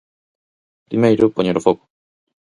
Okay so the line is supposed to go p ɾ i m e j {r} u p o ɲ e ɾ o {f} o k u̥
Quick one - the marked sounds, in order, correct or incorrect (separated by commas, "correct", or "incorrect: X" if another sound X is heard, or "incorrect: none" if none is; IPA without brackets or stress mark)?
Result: incorrect: ɾ, correct